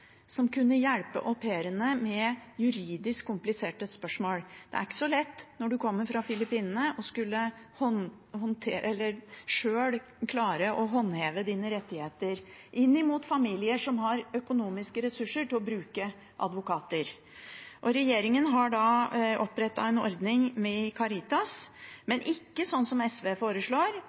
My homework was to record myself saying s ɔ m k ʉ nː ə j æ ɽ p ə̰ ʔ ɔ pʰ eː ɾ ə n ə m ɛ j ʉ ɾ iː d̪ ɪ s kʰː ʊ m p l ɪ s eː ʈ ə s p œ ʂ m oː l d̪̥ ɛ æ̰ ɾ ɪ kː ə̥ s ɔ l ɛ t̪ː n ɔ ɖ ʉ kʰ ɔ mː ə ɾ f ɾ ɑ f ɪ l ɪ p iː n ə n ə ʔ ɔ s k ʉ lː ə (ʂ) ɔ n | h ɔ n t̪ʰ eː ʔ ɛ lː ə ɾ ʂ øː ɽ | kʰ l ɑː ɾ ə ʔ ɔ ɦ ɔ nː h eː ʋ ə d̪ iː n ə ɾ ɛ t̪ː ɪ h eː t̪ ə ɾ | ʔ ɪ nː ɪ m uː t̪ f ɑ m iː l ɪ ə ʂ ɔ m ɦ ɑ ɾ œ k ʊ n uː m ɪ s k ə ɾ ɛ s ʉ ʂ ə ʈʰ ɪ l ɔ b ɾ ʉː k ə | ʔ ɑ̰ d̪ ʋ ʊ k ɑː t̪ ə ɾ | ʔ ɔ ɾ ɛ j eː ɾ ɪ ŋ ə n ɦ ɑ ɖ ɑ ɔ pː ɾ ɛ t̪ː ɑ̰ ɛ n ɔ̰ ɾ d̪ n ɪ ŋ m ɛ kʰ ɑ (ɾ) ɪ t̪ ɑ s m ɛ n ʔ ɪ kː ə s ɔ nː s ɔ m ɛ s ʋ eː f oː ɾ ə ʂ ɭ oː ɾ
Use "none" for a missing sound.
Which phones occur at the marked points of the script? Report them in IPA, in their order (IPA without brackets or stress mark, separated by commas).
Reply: h, ɾ